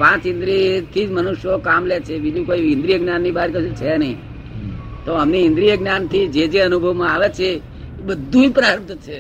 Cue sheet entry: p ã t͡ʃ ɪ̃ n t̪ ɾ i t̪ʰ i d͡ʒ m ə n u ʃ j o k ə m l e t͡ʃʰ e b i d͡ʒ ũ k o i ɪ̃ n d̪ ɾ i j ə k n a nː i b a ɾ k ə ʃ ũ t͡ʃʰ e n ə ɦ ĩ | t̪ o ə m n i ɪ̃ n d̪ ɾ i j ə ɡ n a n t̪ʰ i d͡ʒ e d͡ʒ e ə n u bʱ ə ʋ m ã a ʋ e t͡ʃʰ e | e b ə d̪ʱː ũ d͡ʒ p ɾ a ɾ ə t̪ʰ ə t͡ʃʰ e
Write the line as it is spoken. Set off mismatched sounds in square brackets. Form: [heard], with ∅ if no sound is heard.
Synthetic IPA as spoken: p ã t͡ʃ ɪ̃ n [d̪] ɾ i t̪ʰ i d͡ʒ m ə n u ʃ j o k [a] m l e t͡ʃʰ e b i d͡ʒ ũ k o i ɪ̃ n d̪ ɾ i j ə [ɡ] n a nː i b a ɾ k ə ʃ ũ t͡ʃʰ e n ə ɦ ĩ | t̪ o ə m n i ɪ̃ n d̪ ɾ i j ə ɡ n a n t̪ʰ i d͡ʒ e d͡ʒ e ə n u bʱ ə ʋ m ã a ʋ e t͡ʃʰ e | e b ə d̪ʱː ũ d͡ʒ p ɾ a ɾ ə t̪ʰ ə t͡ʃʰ e